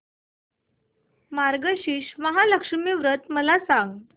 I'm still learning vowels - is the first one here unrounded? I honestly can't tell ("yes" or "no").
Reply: yes